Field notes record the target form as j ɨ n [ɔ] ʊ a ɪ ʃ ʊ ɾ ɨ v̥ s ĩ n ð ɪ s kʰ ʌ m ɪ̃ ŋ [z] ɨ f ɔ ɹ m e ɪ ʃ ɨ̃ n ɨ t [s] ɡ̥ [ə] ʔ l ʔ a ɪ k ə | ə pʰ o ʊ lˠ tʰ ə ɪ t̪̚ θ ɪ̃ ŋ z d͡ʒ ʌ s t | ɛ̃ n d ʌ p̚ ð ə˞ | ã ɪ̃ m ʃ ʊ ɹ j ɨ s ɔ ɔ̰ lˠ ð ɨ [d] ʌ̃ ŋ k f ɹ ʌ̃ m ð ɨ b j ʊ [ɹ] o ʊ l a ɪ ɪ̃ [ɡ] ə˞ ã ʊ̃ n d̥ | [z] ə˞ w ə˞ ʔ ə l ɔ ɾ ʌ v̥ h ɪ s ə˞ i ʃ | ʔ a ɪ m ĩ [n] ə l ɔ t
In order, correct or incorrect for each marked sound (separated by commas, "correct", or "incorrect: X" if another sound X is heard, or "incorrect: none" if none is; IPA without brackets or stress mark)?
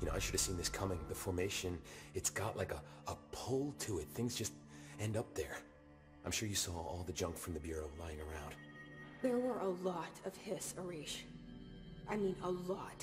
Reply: incorrect: o, incorrect: ð, correct, incorrect: ɑ, incorrect: d͡ʒ, correct, incorrect: ŋ, incorrect: ð, correct